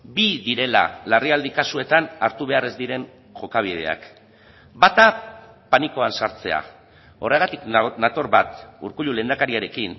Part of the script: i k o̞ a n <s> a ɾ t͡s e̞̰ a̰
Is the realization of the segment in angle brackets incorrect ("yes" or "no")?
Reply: no